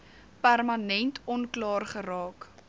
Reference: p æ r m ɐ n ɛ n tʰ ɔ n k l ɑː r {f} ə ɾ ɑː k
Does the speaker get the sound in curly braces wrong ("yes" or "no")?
yes